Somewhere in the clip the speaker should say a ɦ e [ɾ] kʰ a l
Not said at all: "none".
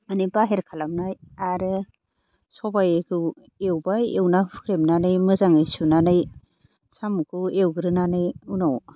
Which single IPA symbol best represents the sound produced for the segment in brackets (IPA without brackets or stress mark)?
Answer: ɾ